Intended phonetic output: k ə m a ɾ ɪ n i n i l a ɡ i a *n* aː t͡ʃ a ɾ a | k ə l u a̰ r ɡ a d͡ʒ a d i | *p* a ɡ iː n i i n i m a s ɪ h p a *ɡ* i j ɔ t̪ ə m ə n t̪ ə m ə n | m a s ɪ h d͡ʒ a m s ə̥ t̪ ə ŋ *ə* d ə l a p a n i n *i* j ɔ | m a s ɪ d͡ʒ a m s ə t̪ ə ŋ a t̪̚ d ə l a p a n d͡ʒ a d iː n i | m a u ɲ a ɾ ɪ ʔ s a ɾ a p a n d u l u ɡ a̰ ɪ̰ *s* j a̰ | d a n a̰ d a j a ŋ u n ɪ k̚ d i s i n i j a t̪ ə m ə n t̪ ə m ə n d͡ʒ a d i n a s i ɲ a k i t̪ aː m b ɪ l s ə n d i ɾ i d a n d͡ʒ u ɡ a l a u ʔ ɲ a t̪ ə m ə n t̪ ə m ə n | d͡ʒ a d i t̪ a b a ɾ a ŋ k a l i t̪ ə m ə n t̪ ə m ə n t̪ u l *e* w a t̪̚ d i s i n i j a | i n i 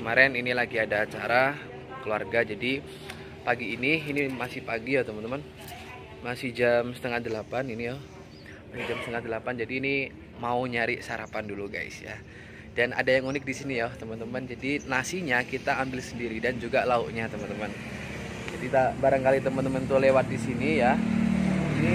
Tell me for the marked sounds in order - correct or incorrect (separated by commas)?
incorrect, correct, correct, incorrect, correct, correct, correct